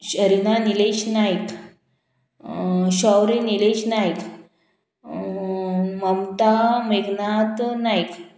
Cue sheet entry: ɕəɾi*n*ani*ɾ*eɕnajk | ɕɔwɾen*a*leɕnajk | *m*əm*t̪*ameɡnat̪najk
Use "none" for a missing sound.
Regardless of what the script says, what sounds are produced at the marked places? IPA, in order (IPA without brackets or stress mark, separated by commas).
n, l, i, m, t̪